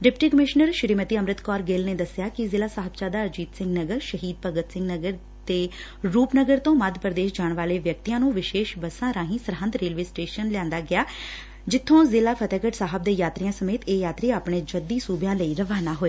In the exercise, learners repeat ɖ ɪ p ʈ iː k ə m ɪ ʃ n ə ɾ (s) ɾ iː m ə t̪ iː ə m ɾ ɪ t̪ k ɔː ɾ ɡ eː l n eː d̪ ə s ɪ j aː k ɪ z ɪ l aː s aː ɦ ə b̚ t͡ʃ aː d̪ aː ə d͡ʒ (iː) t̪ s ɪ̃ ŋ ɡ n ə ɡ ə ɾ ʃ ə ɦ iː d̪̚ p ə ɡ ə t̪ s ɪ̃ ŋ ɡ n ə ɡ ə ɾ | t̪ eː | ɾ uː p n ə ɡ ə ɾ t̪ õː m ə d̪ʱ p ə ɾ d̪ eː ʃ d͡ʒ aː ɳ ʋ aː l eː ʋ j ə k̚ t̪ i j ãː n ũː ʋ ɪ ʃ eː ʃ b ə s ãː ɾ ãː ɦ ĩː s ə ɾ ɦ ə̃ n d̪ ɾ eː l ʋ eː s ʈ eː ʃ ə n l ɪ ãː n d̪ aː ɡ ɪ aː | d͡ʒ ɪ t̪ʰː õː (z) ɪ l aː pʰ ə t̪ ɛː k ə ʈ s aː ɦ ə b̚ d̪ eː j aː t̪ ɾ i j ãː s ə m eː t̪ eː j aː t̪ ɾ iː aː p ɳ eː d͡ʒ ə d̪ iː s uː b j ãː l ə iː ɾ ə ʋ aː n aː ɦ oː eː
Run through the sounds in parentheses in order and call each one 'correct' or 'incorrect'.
incorrect: ʃ, correct, correct

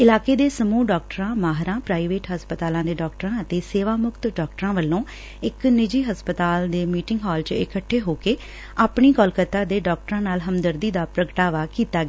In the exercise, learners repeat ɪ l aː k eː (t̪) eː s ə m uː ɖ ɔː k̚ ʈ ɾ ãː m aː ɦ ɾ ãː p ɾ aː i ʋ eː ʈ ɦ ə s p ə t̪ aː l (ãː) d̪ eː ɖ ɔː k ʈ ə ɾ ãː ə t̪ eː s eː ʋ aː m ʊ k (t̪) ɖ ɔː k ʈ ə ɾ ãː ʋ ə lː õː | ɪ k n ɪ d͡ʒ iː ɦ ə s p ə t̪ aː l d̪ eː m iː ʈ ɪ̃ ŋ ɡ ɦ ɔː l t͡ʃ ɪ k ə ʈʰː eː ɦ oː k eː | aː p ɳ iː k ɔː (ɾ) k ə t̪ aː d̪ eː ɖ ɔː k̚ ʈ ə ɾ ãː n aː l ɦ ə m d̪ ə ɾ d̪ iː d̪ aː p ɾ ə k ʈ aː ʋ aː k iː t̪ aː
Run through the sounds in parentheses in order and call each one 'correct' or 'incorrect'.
incorrect: d̪, correct, correct, incorrect: l

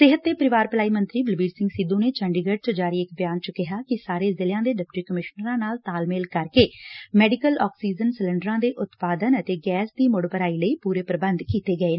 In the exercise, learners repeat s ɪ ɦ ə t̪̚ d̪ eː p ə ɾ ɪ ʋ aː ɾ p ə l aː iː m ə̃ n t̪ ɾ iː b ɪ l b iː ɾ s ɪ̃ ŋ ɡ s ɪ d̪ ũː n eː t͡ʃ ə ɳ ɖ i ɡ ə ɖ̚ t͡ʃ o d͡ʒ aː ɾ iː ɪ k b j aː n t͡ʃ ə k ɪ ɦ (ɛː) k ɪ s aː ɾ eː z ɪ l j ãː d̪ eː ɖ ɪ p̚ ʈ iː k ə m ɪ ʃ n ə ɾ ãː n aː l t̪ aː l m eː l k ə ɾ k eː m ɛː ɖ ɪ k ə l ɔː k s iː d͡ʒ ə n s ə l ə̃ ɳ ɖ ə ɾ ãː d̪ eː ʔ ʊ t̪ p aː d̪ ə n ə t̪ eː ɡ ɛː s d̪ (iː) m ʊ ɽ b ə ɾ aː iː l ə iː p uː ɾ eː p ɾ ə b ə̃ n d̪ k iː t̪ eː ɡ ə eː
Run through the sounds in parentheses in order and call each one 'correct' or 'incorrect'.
incorrect: aː, correct

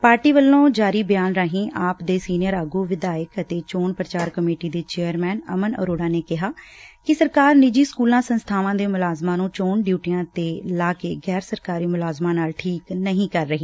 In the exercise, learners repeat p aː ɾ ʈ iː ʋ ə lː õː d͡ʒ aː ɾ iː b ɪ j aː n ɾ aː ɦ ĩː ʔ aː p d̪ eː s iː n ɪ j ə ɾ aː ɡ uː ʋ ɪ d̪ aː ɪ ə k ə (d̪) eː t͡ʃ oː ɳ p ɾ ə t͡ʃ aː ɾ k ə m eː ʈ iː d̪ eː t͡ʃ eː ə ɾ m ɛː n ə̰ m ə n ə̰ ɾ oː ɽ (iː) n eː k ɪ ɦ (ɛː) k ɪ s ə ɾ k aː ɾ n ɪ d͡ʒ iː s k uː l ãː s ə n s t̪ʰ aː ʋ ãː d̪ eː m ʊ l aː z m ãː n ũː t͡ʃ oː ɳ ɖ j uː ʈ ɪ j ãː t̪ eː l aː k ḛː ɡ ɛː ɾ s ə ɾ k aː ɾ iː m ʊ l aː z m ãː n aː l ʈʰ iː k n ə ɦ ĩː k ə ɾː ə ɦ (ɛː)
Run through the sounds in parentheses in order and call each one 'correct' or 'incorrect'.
incorrect: t̪, incorrect: aː, incorrect: aː, incorrect: iː

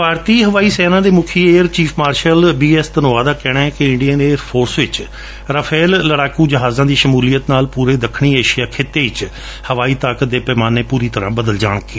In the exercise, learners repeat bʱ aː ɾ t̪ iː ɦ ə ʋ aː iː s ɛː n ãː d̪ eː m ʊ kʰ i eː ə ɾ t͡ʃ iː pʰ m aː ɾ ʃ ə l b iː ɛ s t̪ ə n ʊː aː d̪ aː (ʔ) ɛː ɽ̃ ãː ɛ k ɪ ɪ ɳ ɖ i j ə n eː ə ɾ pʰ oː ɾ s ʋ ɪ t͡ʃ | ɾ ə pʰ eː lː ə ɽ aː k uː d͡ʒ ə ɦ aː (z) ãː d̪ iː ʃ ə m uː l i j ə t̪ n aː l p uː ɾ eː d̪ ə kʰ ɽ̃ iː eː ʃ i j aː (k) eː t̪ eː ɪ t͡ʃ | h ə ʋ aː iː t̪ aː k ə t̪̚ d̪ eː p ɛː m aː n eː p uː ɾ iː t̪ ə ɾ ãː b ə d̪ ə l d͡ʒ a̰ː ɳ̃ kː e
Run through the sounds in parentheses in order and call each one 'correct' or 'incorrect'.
incorrect: k, correct, incorrect: kʰ

